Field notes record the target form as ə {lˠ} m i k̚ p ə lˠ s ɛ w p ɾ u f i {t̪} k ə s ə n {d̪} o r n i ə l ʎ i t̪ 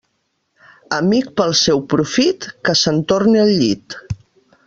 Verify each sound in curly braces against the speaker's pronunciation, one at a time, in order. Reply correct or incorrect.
incorrect: none, correct, incorrect: t̪

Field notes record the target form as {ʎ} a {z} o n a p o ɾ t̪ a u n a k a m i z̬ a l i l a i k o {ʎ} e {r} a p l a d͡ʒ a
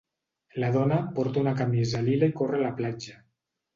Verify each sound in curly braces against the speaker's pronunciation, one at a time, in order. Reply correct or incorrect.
incorrect: l, incorrect: ð, incorrect: r, incorrect: l

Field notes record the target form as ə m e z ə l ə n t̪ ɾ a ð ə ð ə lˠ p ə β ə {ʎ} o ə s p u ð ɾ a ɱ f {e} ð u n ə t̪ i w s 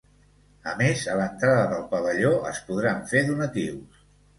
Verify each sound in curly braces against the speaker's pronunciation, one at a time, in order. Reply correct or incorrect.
correct, correct

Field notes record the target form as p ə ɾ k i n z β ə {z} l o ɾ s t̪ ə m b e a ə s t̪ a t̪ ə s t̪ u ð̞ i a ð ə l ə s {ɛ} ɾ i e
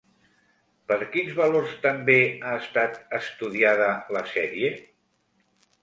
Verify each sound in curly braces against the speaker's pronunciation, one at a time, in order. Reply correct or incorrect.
incorrect: none, correct

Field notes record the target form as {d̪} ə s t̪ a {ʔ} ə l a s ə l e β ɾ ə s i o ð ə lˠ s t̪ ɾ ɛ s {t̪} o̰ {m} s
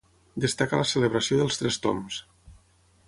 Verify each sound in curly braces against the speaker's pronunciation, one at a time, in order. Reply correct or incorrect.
correct, incorrect: k, correct, correct

